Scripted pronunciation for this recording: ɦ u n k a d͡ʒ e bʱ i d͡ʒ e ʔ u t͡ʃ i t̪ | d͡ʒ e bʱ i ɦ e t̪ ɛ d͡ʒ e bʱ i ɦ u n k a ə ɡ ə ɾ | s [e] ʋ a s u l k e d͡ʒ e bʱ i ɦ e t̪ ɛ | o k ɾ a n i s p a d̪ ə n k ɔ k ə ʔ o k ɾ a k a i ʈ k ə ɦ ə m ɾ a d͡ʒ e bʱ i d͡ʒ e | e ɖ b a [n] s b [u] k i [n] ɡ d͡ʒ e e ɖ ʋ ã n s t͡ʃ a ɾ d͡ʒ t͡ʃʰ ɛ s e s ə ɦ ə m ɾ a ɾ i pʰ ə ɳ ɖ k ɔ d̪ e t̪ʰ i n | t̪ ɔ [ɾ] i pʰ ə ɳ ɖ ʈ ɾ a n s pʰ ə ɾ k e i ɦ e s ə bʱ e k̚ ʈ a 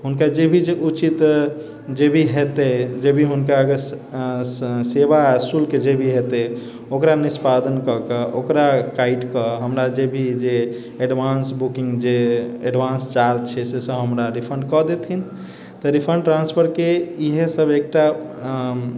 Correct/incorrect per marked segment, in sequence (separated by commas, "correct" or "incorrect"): correct, correct, correct, incorrect, correct